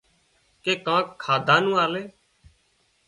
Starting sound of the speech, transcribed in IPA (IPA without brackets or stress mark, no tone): k